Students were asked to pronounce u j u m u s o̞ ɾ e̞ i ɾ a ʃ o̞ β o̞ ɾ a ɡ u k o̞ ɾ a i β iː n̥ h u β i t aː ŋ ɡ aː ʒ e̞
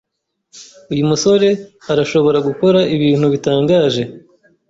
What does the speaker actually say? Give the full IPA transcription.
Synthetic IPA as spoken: u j u m u s o̞ ɾ e̞ a ɾ a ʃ o̞ β o̞ ɾ a ɡ u k o̞ ɾ a i β iː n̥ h u β i t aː ŋ ɡ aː ʒ e̞